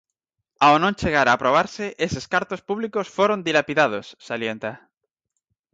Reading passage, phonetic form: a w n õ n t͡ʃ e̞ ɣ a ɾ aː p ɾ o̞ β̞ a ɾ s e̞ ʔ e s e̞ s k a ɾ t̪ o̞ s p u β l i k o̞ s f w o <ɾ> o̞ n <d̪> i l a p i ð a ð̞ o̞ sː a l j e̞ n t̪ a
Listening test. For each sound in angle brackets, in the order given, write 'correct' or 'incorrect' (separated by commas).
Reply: correct, correct